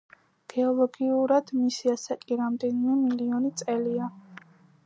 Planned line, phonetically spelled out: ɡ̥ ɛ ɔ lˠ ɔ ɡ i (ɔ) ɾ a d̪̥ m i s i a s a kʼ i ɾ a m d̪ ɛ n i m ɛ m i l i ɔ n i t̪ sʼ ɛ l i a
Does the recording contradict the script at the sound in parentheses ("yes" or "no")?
yes